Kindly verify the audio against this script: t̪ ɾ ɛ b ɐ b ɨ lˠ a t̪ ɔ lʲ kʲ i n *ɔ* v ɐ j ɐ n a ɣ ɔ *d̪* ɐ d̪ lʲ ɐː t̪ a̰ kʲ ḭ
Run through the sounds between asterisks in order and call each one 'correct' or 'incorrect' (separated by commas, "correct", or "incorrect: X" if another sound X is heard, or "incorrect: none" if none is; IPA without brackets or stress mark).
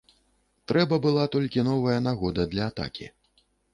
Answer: correct, correct